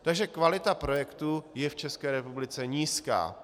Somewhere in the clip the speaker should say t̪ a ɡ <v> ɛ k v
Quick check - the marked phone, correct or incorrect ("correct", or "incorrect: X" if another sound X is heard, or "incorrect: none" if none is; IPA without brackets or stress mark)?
incorrect: ʒ